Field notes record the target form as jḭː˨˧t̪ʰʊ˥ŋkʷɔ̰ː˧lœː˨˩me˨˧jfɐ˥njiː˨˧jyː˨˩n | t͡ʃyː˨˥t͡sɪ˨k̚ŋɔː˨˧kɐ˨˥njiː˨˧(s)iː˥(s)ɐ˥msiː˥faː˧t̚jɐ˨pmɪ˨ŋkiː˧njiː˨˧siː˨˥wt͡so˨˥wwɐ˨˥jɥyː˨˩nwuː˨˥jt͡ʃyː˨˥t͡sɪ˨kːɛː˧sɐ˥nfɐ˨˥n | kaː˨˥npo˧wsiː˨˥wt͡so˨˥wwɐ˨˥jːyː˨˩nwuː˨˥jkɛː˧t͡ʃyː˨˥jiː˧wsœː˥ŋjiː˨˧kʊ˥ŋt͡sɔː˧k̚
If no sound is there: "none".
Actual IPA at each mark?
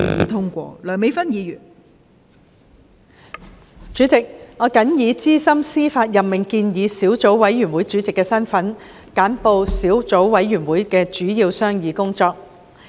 t͡s, s

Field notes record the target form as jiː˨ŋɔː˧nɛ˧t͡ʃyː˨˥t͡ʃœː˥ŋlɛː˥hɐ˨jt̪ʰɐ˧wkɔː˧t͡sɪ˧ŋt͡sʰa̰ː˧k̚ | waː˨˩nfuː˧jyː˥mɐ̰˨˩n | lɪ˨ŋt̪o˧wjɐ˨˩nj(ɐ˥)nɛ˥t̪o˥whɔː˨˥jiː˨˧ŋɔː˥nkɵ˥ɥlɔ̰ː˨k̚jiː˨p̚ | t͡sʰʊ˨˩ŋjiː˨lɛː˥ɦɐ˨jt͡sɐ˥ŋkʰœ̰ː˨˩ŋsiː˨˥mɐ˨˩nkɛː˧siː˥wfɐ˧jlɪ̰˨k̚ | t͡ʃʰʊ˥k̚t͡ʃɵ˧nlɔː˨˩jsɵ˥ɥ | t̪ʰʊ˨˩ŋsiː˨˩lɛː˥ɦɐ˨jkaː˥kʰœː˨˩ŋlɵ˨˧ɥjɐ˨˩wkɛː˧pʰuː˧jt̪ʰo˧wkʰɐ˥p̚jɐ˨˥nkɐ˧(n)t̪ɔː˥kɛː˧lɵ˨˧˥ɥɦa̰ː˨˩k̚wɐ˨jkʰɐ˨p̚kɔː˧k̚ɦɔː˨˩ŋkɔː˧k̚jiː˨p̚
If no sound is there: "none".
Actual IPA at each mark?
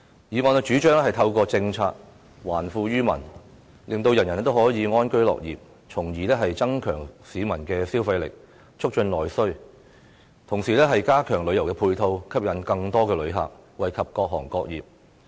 ɐ˨˩, ŋ

